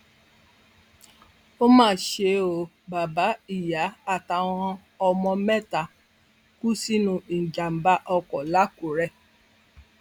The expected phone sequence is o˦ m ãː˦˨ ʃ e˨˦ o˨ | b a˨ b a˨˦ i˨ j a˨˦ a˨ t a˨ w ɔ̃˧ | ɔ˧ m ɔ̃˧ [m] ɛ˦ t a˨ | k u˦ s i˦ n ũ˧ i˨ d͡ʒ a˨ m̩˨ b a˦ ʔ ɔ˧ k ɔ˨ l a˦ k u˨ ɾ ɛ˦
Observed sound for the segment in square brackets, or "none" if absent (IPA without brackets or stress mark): m